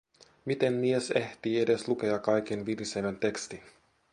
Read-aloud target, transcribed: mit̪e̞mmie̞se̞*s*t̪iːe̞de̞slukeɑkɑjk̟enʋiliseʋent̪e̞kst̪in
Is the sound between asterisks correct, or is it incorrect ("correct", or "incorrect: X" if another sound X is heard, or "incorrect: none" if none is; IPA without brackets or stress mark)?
incorrect: h